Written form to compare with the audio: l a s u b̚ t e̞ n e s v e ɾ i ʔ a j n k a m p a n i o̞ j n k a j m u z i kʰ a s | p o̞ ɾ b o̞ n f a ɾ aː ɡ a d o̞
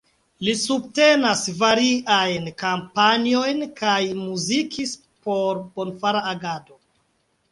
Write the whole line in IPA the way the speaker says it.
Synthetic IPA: l i s u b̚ t e̞ n a s v a ɾ i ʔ a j n k a m p a n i o̞ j n k a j m u z i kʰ i s | p o̞ ɾ b o̞ n f a ɾ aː ɡ a d o̞